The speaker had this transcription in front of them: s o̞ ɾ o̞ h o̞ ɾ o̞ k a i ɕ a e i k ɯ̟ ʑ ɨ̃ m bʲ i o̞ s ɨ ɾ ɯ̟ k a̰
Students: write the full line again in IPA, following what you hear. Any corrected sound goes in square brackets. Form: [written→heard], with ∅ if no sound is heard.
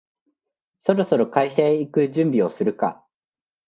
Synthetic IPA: s o̞ ɾ o̞ [h→s] o̞ ɾ o̞ k a i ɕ a e i k ɯ̟ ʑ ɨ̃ m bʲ i o̞ s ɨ ɾ ɯ̟ k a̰